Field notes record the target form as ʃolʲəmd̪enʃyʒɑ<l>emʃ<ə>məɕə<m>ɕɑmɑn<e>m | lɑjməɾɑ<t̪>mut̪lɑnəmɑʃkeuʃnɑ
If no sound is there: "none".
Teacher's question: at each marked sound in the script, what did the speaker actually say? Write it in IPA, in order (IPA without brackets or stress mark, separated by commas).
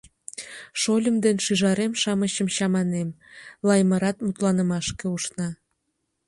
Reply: ɾ, ɑ, m, e, t̪